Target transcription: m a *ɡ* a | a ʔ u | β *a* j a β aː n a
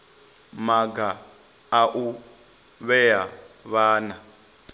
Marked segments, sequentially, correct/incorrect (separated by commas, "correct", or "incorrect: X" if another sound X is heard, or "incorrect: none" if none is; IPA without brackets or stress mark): correct, incorrect: ɛ